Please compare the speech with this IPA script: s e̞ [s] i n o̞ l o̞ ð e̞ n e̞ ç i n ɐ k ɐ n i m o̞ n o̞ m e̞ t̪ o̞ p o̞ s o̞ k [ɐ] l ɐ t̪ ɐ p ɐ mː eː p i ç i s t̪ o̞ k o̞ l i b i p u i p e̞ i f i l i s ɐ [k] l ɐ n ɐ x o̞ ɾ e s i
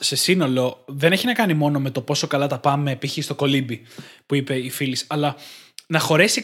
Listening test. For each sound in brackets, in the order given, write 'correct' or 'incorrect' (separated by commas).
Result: correct, correct, incorrect